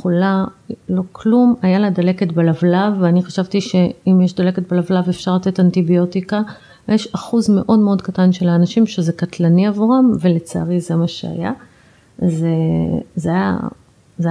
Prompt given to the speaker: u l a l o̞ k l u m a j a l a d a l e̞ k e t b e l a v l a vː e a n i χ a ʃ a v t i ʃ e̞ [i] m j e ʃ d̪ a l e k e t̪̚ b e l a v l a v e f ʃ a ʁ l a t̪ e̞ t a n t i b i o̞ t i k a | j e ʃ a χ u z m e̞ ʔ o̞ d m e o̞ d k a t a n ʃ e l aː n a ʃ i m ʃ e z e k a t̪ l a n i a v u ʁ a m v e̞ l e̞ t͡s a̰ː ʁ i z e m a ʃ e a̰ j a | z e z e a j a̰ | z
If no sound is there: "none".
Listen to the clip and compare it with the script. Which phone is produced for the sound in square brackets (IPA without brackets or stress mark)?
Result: i